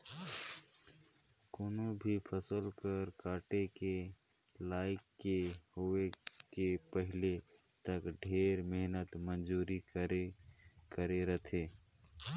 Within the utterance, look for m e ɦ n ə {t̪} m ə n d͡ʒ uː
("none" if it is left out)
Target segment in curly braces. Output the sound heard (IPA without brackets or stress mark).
t̪